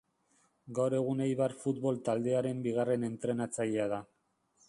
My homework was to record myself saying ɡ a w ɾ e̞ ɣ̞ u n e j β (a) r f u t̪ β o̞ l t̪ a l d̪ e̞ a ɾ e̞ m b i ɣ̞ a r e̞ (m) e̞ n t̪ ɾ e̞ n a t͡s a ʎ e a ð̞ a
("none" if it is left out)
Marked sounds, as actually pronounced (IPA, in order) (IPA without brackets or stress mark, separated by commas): a, n